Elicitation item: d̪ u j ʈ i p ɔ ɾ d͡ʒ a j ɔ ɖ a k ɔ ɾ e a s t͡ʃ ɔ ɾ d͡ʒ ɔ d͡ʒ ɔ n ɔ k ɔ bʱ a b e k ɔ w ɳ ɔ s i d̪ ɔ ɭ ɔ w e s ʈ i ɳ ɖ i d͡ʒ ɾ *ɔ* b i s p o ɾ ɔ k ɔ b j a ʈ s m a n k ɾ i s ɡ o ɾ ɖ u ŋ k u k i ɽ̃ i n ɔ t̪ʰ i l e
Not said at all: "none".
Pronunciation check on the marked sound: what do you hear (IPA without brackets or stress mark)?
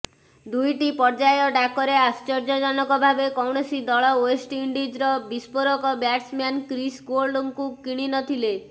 ɔ